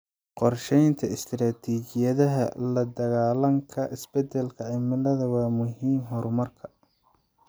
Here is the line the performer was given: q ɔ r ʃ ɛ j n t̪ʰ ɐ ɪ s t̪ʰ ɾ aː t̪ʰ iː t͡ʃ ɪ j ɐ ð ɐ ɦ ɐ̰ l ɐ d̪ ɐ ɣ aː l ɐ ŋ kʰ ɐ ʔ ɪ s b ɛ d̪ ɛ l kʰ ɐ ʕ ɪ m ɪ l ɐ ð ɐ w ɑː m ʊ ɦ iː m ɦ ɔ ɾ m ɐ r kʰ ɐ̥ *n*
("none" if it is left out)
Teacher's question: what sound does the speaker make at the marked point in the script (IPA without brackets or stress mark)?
none